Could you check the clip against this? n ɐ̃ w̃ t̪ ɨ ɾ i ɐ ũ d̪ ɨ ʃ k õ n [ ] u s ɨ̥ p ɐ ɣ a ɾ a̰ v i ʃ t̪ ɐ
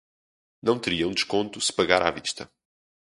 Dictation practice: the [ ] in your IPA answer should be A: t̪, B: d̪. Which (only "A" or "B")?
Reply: A